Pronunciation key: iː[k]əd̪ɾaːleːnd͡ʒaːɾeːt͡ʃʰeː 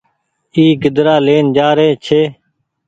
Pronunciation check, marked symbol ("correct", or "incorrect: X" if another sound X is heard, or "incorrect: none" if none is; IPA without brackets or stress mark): incorrect: ɡ